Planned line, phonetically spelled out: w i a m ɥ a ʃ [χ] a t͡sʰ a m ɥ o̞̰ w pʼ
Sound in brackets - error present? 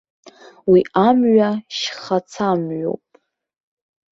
no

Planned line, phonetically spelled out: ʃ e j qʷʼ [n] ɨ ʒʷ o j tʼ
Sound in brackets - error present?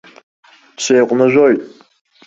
no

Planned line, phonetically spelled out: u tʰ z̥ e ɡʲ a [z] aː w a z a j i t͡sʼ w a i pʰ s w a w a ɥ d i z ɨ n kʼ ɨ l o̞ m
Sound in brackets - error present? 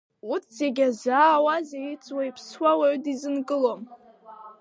no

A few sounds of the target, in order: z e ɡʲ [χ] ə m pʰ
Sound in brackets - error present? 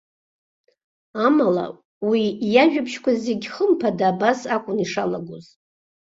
no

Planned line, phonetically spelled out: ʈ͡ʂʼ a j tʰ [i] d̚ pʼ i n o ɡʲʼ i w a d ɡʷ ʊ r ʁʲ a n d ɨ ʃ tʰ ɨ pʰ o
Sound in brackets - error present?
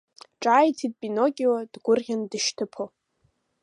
no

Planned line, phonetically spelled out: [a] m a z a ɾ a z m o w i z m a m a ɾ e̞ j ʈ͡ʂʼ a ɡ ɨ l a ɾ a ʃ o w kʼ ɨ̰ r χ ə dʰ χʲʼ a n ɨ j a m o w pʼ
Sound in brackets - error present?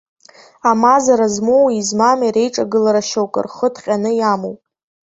no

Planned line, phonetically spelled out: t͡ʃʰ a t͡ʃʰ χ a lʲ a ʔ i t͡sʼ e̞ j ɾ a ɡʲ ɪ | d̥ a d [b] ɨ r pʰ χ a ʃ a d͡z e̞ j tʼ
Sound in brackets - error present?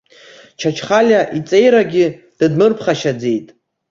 yes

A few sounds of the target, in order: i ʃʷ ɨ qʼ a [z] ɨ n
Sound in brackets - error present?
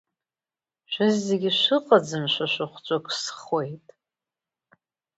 yes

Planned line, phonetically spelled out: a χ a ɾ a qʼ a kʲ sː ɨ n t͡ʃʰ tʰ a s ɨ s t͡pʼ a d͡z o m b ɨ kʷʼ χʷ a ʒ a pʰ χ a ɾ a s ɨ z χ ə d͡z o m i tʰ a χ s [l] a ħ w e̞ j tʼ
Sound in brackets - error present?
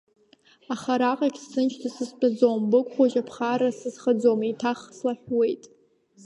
no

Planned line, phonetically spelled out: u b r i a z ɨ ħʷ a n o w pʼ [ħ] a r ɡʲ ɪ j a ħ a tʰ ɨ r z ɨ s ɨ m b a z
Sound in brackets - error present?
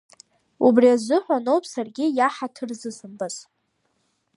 yes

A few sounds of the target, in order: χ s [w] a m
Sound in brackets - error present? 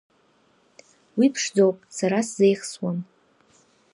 no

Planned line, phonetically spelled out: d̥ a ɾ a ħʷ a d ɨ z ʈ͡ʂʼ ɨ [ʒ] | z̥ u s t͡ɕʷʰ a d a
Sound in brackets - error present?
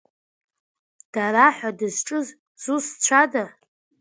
yes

